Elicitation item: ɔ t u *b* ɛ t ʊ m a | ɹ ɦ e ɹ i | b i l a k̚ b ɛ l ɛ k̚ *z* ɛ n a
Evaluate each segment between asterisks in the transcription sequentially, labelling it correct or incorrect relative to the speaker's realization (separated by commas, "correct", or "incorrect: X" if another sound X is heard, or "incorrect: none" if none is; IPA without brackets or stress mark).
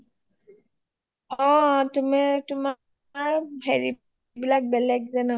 incorrect: m, correct